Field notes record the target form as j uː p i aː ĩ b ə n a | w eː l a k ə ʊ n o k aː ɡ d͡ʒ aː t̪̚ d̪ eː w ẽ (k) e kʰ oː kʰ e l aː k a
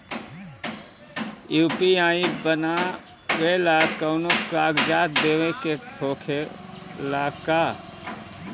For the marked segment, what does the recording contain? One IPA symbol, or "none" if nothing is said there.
k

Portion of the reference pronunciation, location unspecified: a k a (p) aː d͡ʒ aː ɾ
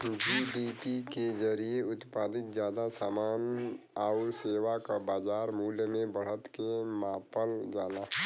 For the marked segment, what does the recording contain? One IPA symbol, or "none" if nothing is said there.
b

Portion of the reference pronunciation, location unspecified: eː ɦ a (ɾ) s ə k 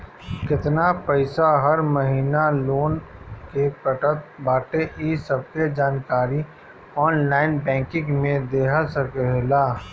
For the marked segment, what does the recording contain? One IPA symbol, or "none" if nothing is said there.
none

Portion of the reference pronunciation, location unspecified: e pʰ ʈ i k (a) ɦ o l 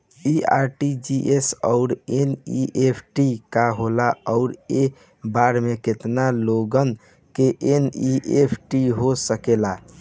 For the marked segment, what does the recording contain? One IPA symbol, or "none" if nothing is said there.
a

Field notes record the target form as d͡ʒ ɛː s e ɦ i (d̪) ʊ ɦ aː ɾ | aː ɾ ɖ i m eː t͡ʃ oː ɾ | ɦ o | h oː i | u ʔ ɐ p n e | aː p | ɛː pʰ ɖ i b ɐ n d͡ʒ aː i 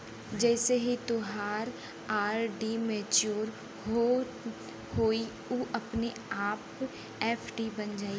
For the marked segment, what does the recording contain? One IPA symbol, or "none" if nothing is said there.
t̪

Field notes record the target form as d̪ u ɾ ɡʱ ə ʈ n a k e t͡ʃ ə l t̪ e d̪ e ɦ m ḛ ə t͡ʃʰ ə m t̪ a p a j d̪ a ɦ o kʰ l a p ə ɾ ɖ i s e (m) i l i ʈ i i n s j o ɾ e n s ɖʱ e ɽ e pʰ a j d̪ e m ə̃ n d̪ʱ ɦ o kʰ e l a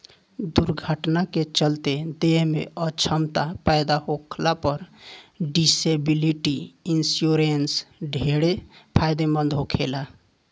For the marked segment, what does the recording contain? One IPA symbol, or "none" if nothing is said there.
b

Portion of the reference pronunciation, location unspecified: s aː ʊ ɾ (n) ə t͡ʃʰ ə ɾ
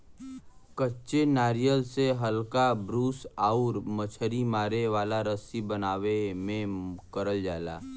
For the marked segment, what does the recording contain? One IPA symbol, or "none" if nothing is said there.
m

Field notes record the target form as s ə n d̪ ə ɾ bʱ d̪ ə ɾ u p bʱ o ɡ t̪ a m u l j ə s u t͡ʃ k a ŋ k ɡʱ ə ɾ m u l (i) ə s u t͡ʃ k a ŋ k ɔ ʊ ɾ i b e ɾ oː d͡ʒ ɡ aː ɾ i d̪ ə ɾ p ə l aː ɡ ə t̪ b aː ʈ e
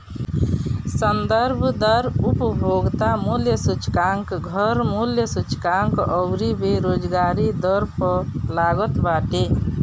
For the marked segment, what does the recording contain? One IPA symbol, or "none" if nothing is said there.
j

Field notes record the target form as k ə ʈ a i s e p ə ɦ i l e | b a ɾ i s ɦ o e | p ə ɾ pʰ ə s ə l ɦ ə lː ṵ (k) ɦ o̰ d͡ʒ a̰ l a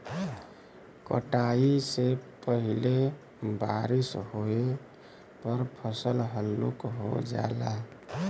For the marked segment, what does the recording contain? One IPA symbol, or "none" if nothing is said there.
k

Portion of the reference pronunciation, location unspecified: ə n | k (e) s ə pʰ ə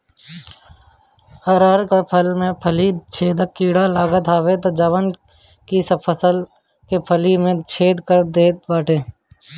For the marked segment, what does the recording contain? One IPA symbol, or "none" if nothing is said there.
i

